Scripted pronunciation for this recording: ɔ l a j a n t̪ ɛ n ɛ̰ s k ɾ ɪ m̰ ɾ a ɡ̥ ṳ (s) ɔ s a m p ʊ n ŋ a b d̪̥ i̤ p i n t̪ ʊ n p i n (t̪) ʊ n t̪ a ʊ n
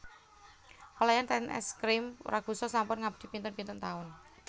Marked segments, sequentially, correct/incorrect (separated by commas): correct, correct